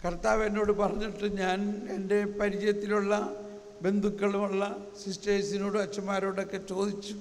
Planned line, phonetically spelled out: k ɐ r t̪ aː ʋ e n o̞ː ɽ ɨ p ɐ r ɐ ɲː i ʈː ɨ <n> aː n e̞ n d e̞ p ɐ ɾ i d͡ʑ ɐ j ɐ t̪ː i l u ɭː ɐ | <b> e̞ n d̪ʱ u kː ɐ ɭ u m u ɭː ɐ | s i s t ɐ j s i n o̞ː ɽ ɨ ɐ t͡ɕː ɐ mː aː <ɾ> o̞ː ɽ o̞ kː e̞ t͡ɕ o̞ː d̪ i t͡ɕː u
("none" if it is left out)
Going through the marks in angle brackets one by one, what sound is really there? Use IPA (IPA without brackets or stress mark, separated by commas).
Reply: ɲ, b, ɾ